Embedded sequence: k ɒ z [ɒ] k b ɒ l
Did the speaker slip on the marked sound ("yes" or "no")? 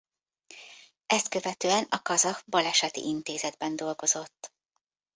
no